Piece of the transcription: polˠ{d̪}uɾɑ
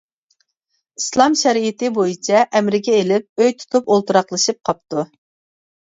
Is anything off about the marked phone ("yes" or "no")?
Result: yes